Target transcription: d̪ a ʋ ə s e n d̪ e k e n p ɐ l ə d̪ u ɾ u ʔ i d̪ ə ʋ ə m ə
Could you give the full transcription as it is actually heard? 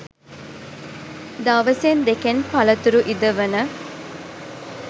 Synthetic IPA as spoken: d̪ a ʋ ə s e n d̪ e k e n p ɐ l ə t̪ u ɾ u ʔ i d̪ ə ʋ ə n ə